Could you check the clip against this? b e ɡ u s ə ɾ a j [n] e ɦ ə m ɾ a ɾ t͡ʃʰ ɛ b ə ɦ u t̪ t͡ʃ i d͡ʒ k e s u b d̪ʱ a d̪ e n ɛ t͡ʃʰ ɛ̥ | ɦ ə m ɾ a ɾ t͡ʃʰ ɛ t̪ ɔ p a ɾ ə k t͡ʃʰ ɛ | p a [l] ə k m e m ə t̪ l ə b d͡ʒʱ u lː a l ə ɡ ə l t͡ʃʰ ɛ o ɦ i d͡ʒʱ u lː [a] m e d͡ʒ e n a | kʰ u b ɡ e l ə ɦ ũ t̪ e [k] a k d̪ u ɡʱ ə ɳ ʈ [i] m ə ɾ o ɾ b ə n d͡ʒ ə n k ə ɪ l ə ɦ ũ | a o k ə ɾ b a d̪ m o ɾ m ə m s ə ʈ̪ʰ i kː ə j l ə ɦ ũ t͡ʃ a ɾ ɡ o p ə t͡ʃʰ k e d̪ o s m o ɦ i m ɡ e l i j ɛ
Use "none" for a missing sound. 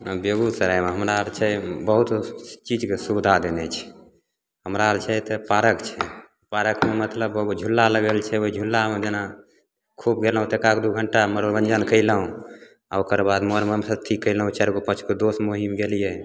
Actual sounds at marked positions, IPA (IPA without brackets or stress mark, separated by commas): m, ɾ, a, k, a